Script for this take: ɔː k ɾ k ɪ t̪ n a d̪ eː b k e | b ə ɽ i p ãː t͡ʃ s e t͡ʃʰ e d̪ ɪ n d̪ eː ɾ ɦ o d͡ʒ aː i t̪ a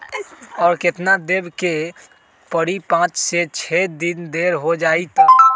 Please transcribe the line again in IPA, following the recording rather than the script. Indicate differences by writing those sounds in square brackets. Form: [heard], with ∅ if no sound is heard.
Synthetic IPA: ɔː [∅] ɾ k ɪ t̪ n a d̪ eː b k e | [p] ə ɽ i p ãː t͡ʃ s e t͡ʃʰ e d̪ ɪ n d̪ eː ɾ ɦ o d͡ʒ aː i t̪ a